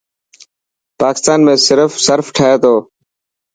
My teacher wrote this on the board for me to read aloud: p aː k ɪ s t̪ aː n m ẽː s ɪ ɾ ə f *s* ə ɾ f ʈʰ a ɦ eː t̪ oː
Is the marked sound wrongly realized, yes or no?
no